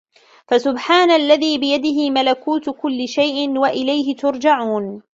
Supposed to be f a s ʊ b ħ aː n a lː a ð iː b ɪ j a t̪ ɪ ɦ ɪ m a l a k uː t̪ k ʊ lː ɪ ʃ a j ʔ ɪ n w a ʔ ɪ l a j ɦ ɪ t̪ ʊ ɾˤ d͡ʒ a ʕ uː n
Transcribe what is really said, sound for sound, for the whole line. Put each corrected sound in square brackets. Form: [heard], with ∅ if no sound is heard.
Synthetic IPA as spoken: f a s ʊ b ħ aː n a lː a ð iː b ɪ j a [d̪] ɪ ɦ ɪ m a l a k uː t̪ k ʊ lː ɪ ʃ a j ʔ ɪ n w a ʔ ɪ l a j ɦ ɪ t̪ ʊ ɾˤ d͡ʒ a ʕ uː n